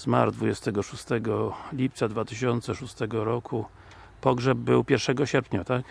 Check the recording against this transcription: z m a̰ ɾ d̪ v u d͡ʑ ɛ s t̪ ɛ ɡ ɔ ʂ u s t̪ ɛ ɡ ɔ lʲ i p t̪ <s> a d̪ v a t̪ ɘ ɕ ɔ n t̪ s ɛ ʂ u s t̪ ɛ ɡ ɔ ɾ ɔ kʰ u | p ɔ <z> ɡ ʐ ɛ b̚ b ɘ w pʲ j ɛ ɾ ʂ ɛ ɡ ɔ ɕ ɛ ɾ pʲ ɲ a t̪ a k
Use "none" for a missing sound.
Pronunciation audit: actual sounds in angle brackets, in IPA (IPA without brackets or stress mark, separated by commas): s, none